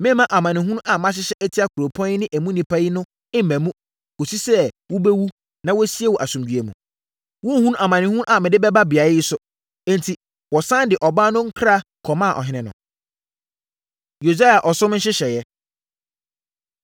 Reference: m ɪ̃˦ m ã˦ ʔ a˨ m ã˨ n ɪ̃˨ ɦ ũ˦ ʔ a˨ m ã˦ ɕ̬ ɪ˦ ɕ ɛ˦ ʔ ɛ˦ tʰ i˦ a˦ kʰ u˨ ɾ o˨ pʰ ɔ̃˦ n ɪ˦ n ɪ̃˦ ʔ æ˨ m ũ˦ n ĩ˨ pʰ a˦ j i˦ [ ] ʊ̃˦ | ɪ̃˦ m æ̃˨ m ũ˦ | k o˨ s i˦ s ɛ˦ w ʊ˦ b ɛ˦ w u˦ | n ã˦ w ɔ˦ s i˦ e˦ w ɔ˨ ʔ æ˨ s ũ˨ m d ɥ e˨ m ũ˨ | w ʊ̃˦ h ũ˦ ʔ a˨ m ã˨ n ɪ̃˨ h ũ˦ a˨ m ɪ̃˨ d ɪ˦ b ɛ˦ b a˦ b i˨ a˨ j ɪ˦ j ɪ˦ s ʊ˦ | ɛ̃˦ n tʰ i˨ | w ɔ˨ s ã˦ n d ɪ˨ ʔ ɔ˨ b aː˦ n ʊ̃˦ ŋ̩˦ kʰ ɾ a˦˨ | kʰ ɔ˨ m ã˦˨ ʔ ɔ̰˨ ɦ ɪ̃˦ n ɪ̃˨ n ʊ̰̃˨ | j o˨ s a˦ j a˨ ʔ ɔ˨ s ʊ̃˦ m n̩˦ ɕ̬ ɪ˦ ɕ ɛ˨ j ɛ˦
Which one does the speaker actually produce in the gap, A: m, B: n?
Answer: B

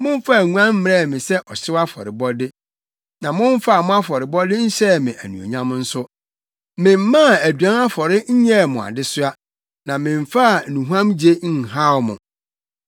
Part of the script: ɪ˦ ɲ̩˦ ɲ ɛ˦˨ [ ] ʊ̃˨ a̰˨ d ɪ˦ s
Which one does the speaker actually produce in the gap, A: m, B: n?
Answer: A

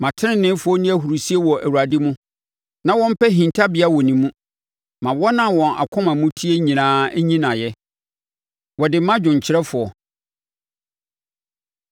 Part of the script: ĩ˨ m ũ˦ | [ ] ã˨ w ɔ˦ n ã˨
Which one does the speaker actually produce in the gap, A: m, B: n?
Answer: A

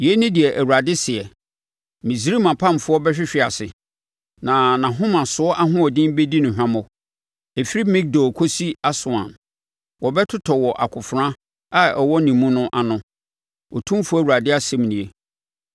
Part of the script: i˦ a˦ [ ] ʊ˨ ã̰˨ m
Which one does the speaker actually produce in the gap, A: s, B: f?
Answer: A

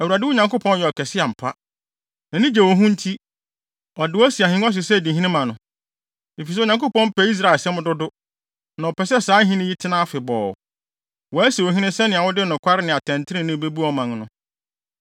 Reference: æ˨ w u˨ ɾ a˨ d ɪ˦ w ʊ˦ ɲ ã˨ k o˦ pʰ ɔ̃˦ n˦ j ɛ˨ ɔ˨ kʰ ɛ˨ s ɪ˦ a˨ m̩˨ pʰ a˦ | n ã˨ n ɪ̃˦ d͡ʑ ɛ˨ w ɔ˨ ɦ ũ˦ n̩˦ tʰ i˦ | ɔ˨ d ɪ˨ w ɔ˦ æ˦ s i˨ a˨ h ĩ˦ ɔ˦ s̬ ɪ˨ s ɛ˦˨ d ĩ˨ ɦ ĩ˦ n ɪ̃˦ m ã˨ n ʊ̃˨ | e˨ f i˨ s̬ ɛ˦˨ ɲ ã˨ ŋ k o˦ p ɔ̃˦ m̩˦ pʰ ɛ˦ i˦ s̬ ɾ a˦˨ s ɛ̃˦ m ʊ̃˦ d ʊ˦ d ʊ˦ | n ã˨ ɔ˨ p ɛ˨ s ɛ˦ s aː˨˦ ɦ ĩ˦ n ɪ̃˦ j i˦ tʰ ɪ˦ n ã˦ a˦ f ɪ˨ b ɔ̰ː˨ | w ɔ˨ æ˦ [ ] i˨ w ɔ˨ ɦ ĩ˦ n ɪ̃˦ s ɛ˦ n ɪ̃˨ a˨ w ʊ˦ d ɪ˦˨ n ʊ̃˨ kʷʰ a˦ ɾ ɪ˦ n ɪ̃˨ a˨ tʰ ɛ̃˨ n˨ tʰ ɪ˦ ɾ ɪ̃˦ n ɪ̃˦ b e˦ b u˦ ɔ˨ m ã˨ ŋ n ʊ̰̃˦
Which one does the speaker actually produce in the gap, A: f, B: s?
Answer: B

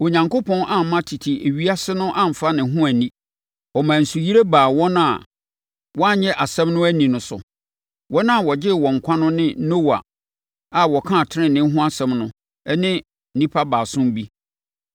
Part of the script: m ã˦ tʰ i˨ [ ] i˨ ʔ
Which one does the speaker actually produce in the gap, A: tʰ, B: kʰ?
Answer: A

